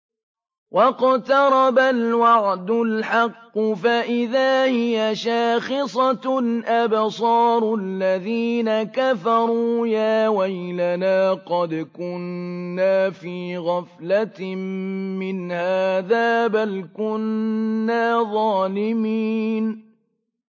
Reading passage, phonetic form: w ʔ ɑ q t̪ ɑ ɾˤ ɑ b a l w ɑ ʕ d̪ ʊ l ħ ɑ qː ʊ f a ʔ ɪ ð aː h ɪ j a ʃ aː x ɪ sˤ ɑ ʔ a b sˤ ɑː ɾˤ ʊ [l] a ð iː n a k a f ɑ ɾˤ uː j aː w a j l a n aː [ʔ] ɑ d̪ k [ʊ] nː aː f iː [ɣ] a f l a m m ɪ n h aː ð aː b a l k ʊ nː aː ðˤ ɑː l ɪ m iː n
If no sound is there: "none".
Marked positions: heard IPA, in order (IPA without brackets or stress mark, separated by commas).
lː, q, ʊ, ɣ